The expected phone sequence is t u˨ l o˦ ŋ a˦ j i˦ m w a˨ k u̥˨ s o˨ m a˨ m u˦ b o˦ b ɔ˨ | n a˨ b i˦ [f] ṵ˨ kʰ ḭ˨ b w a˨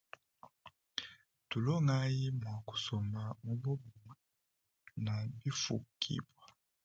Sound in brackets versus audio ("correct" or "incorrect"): correct